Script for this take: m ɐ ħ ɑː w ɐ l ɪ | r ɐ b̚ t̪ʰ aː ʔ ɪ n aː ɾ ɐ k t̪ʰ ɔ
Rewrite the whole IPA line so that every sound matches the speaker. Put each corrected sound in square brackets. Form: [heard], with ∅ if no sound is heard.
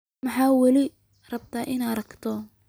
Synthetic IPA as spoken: m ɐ ħ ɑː w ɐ l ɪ | r ɐ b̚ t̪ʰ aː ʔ ɪ n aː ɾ ɐ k t̪ʰ ɔ

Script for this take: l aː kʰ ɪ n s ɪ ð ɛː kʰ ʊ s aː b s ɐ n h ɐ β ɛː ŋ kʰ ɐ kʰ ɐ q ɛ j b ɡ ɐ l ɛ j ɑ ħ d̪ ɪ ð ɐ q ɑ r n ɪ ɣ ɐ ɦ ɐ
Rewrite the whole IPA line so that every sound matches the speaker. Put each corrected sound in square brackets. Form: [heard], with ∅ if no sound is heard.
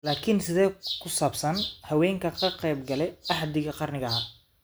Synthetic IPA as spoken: l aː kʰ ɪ n s ɪ ð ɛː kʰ ʊ s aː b s ɐ n h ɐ [w] ɛː ŋ kʰ ɐ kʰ ɐ q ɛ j b ɡ ɐ l ɛ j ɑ ħ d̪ ɪ [ɣ] ɐ q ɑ r n ɪ ɣ ɐ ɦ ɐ

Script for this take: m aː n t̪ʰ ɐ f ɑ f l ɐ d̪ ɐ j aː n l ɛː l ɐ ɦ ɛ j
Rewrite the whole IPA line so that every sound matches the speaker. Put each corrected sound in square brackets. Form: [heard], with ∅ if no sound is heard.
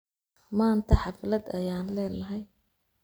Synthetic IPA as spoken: m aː n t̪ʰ ɐ [ħ] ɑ f l ɐ d̪ ɐ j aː n l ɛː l ɐ ɦ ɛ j

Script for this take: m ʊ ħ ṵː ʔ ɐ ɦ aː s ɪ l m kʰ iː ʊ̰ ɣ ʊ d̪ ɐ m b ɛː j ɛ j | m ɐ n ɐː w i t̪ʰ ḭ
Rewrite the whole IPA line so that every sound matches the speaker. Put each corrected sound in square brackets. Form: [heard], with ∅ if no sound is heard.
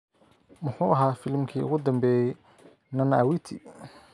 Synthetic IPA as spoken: m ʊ ħ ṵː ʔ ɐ ɦ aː [f] ɪ l m kʰ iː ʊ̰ ɣ ʊ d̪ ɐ m b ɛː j ɛ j | [n] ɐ n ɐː w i t̪ʰ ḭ

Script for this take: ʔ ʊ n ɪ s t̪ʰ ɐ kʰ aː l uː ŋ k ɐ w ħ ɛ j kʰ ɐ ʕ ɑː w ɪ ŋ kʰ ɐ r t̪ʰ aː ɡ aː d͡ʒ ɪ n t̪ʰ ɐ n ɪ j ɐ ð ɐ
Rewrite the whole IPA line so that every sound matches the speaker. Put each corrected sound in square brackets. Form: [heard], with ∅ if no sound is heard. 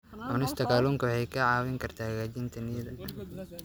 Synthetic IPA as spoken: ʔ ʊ n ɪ s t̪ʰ ɐ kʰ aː l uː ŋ k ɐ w ħ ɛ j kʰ ɐ ʕ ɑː w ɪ ŋ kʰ ɐ r t̪ʰ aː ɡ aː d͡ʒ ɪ n t̪ʰ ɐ n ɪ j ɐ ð ɐ

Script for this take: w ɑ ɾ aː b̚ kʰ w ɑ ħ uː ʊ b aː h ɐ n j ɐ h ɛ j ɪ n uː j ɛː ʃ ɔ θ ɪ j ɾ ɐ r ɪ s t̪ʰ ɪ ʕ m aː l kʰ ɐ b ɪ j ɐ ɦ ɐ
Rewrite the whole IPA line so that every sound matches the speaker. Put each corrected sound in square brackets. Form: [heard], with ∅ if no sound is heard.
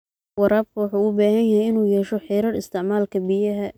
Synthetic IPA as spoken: w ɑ ɾ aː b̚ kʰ w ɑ ħ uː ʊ b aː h ɐ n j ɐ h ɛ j ɪ n uː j ɛː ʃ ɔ [ħ] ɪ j ɾ ɐ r ɪ s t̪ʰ ɪ ʕ m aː l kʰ ɐ b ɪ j ɐ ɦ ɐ

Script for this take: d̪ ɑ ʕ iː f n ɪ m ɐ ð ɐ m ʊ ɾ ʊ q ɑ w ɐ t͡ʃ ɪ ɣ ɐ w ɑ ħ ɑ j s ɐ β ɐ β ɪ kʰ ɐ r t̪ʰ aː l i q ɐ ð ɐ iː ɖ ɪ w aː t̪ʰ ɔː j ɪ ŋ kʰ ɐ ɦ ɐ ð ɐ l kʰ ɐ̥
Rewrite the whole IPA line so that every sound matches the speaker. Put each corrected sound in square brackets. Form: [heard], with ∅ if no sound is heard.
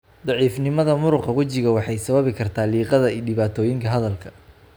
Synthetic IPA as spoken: d̪ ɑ ʕ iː f n ɪ m ɐ ð ɐ m ʊ ɾ ʊ q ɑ w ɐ t͡ʃ ɪ ɣ ɐ w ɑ ħ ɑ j s ɐ β ɐ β ɪ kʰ ɐ r t̪ʰ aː l [iː] q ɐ ð ɐ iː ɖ ɪ [β] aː t̪ʰ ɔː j ɪ ŋ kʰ ɐ ɦ ɐ ð ɐ l kʰ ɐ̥

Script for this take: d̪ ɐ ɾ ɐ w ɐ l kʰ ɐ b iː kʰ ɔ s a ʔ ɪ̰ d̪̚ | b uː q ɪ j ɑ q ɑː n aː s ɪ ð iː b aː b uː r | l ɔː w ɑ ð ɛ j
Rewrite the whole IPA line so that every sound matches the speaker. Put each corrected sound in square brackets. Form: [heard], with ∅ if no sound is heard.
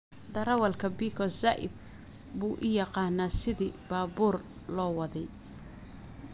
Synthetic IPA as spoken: d̪ ɐ ɾ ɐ w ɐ l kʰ ɐ b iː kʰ ɔ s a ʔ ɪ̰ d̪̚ | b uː [ʔ] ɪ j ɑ q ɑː n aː s ɪ ð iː b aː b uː r | l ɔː w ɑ ð ɛ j

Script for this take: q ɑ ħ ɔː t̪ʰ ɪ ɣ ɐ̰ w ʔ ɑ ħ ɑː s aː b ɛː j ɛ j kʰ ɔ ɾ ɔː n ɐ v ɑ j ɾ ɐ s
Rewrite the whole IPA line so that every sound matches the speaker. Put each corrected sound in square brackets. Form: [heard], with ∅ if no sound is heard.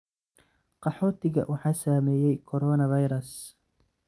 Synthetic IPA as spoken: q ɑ ħ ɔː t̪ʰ ɪ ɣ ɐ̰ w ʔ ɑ ħ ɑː s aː [m] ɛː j ɛ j kʰ ɔ ɾ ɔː n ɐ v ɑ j ɾ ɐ s

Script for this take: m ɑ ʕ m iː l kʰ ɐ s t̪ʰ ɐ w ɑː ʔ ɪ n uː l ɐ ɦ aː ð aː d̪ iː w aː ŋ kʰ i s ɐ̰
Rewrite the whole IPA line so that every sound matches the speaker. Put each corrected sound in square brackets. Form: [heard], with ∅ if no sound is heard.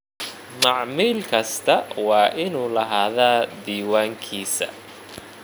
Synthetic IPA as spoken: m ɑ ʕ m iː l kʰ ɐ s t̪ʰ ɐ w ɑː ʔ ɪ n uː l ɐ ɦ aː ð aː d̪ iː w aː ŋ kʰ [iː] s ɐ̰

